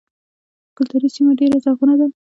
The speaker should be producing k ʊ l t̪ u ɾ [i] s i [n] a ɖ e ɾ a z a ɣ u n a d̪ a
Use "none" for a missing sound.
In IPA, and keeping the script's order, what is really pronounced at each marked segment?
i, m

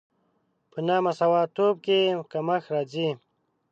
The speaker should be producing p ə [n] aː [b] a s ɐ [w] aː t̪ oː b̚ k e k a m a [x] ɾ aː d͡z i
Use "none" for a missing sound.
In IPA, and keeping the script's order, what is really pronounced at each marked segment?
n, m, w, x

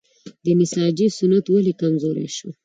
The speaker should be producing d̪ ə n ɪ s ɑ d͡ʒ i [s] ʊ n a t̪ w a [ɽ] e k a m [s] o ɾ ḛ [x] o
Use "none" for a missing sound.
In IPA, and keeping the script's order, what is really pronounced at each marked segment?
s, l, z, ʃ

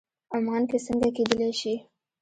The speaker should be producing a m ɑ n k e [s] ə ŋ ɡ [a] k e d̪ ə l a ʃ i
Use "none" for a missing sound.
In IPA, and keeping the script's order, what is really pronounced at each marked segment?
s, a

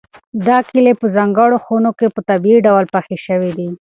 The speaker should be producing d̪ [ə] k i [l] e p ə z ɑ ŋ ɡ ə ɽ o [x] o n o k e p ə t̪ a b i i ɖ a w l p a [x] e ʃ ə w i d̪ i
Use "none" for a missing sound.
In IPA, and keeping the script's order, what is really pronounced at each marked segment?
ɑ, l, x, x

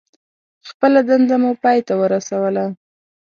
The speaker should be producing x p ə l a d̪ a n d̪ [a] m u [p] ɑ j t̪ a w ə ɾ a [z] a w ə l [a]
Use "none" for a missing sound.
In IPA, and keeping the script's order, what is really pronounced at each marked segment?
a, p, s, a

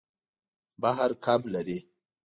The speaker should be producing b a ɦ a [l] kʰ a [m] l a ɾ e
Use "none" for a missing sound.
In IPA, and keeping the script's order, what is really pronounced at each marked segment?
ɾ, b

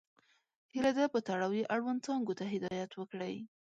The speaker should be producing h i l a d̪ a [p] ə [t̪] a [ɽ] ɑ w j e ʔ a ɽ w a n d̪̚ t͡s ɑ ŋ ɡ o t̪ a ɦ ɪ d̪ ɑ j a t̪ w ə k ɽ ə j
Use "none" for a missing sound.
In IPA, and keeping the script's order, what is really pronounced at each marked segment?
p, t̪, ɽ

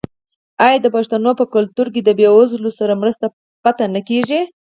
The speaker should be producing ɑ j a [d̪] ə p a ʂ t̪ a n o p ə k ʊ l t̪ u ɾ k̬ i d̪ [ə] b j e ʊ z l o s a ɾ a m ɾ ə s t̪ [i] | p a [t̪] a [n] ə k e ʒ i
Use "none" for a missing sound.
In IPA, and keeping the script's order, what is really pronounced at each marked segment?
d̪, ə, a, t̪, n

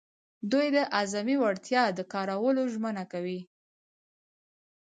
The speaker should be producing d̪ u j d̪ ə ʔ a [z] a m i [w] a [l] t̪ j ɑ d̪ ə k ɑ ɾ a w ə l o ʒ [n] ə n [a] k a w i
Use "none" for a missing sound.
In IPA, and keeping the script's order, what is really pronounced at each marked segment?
z, w, ɽ, m, a

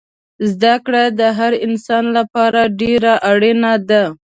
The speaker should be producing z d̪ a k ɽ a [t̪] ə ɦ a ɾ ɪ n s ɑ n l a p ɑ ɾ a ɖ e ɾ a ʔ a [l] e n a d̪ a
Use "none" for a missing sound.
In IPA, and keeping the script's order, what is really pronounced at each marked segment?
d̪, ɽ

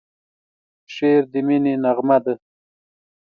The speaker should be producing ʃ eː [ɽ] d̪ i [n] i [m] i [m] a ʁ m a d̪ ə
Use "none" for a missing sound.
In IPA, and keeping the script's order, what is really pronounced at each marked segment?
ɾ, m, n, n

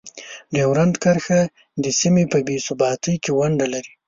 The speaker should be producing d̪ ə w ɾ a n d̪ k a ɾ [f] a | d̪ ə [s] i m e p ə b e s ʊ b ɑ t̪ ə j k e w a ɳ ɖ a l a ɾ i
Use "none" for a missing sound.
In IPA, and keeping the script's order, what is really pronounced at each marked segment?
x, s

